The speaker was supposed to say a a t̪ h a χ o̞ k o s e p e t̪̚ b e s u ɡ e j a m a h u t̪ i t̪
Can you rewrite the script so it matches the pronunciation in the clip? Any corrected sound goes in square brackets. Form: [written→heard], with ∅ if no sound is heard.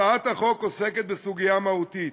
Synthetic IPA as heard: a a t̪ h a χ o̞ k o s e [p→k] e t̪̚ b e s u ɡ [e→i] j a m a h u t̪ i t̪

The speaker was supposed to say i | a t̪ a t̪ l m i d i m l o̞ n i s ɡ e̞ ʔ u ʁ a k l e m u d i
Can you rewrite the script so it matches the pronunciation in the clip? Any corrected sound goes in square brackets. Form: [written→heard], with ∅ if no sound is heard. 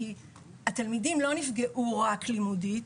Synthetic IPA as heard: i | a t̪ a [t̪→∅] l m i d i m l o̞ n i [s→f] ɡ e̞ ʔ u ʁ a k l [e→i] m u d i

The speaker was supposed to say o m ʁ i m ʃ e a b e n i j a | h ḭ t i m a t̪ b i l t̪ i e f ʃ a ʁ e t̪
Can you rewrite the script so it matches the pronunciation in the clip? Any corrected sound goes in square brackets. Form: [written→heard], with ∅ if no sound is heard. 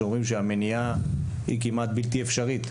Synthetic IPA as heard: o m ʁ i m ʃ e a [b→m] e n i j a | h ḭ [t→k] i m a t̪ b i l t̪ i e f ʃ a ʁ [e→i] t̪

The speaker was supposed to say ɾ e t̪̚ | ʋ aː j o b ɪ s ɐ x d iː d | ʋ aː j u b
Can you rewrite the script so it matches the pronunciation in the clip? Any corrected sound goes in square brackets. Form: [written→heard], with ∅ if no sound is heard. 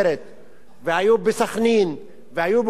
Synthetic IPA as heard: ɾ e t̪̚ | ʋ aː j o b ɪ s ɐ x [d→n] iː [d→n] | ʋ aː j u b

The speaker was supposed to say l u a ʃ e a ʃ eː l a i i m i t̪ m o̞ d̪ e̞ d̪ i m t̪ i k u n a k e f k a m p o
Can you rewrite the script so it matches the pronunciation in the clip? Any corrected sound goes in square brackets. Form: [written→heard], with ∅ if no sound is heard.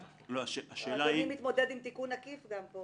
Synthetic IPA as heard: l [u→o] a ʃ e a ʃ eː l a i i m i t̪ m o̞ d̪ e̞ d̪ i m t̪ i k u n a k [e→i] f [k→ɡ] a m p o

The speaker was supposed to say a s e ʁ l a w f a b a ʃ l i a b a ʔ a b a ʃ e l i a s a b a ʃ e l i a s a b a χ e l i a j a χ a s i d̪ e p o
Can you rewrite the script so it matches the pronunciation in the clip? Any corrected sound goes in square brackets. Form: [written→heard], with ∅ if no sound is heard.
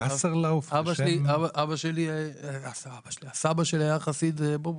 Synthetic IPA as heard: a s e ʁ l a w f a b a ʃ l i a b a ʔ a b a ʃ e l i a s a b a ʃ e l i a s a b a [χ→ʃ] e l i a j a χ a s i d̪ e [p→b] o

